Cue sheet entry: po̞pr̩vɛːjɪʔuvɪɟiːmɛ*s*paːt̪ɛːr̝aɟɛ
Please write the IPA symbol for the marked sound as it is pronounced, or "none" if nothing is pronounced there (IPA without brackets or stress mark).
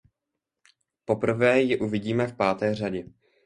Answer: f